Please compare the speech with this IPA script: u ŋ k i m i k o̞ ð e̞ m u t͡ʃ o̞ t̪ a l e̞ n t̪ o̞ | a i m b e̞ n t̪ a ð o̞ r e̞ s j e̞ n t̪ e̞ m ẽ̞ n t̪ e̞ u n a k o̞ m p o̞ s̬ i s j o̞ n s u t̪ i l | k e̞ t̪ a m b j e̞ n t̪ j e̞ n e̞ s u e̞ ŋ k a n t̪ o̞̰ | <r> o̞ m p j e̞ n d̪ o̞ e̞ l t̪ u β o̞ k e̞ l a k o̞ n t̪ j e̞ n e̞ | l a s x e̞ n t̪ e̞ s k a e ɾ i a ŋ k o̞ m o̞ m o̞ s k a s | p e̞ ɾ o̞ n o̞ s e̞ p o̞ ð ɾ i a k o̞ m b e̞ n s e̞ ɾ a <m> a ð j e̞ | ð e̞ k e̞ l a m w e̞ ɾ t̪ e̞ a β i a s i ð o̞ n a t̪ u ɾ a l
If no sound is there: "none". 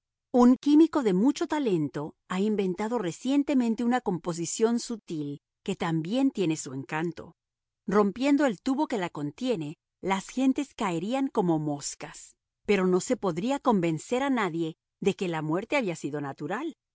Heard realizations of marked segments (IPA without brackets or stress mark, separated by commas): r, n